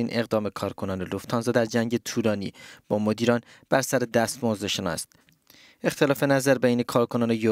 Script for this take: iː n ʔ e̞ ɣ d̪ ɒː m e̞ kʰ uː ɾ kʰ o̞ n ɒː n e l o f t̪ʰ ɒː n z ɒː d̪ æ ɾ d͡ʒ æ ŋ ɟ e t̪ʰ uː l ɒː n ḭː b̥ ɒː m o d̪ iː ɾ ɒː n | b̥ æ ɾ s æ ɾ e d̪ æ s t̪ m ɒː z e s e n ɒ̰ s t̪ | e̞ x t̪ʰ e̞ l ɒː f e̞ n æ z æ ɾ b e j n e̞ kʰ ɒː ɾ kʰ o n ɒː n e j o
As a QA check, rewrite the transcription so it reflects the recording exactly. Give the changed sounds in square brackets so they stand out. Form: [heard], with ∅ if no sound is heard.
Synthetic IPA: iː n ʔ e̞ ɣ d̪ ɒː m e̞ kʰ [ɒː] ɾ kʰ o̞ n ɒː n e l o f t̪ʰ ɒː n z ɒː d̪ æ ɾ d͡ʒ æ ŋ ɟ e t̪ʰ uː l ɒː n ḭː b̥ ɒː m o d̪ iː ɾ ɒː n | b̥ æ ɾ s æ ɾ e d̪ æ s t̪ m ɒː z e [ʃ] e n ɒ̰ s t̪ | e̞ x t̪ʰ e̞ l ɒː f e̞ n æ z æ ɾ b e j n e̞ kʰ ɒː ɾ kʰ o n ɒː n e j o

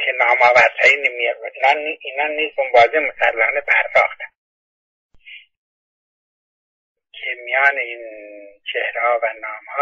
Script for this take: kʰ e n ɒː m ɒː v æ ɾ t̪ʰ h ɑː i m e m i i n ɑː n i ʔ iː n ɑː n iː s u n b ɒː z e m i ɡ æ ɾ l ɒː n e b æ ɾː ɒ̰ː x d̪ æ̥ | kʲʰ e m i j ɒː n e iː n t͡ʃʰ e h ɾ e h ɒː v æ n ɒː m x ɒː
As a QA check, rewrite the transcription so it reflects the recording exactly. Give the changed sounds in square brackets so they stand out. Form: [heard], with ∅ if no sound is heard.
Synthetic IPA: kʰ e n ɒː m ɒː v æ ɾ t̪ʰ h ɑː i [n] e m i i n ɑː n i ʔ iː n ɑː n iː s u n b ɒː z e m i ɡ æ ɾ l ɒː n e b æ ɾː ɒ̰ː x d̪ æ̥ | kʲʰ e m i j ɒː n e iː n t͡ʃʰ e h ɾ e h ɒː v æ n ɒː m [h] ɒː

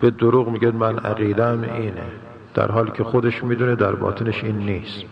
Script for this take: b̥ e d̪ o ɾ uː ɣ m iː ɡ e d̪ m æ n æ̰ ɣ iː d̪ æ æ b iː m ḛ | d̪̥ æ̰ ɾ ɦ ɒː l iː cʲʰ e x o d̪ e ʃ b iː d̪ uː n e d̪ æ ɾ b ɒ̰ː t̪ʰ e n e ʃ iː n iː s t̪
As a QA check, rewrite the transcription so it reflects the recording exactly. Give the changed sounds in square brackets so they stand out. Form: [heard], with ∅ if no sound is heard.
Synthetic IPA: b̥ e d̪ o ɾ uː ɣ m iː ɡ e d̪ m æ n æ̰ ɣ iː d̪ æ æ [m] iː [n] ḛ | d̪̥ æ̰ ɾ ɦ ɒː l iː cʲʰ e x o d̪ e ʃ [m] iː d̪ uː n e d̪ æ ɾ b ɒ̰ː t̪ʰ e n e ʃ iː [nː] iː s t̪

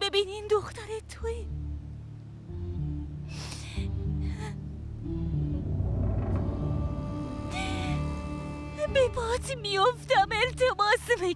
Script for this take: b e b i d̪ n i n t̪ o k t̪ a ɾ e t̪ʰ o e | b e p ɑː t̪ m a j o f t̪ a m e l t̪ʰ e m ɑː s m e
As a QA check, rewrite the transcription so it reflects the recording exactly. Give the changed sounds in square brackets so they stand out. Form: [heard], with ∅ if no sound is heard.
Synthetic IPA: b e b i [∅] n i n [d̪] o [x] t̪ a ɾ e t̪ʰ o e | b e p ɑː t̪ m [i] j o f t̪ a m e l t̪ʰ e m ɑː s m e

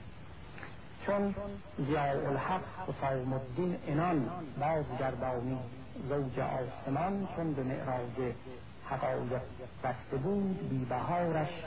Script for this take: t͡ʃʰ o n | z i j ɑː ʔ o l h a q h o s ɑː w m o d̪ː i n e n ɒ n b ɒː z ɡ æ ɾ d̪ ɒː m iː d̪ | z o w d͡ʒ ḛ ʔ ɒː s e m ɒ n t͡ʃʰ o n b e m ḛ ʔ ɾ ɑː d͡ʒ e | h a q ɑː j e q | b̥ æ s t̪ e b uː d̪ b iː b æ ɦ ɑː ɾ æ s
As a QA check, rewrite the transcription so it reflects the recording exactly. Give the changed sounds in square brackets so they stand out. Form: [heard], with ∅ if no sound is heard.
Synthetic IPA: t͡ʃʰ o n | z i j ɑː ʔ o l h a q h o s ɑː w m o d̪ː i n e n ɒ n b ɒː z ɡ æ ɾ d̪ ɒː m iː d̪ | z o w d͡ʒ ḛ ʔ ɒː s e m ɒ n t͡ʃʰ o n b e m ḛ ʔ ɾ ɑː d͡ʒ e | h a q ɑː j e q | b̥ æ s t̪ e b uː d̪ b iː b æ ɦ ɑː ɾ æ [ʃ]

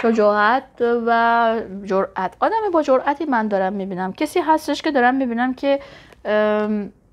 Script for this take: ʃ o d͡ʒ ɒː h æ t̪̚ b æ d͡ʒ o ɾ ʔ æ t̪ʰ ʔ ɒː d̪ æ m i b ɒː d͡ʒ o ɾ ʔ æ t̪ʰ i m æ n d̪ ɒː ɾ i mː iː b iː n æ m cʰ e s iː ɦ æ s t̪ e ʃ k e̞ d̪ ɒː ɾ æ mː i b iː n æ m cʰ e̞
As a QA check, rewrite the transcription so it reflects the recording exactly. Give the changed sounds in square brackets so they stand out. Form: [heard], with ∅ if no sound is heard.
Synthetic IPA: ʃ o d͡ʒ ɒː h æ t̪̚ [v] æ d͡ʒ o ɾ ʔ æ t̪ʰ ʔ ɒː d̪ æ m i b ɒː d͡ʒ o ɾ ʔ æ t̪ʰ i m æ n d̪ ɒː ɾ [æ] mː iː b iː n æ m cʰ e s iː ɦ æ s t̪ e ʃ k e̞ d̪ ɒː ɾ æ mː i b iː n æ m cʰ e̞

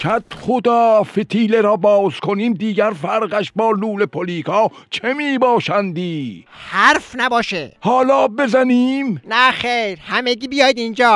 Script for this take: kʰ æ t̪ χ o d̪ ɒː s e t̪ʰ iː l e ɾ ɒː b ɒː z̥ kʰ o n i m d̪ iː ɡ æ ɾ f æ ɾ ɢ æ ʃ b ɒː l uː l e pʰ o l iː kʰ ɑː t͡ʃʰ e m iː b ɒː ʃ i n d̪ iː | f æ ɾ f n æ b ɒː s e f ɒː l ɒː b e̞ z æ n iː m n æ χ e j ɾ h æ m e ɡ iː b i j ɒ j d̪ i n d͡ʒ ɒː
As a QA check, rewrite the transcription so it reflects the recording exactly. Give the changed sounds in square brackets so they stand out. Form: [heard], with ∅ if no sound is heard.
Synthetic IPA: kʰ æ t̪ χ o d̪ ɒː [f] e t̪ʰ iː l e ɾ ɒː b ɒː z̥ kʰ o n [iː] m d̪ iː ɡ æ ɾ f æ ɾ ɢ æ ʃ b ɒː l uː l e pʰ o l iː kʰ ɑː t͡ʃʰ e m iː b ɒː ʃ [æ] n d̪ iː | [h] æ ɾ f n æ b ɒː [ʃ] e [h] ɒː l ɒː b e̞ z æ n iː m n æ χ e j ɾ h æ m e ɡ iː b i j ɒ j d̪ i n d͡ʒ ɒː

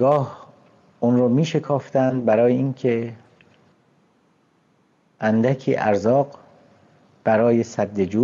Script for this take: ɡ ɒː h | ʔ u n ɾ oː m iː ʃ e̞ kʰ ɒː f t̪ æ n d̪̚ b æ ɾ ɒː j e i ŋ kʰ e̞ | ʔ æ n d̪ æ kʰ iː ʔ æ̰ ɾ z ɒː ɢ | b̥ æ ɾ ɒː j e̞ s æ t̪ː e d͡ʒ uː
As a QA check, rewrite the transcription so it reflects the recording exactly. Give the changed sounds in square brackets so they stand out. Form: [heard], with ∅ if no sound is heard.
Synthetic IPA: ɡ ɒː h | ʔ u n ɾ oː m iː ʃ e̞ kʰ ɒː f t̪ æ n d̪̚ b æ ɾ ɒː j e i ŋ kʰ e̞ | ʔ æ n d̪ æ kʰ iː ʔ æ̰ ɾ z ɒː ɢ | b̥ æ ɾ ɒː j e̞ s æ [d̪ː] e d͡ʒ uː

